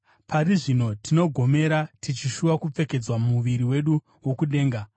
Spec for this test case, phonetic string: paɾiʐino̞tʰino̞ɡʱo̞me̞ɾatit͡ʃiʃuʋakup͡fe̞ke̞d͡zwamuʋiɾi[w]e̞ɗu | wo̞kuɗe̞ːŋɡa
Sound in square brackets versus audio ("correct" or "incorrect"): correct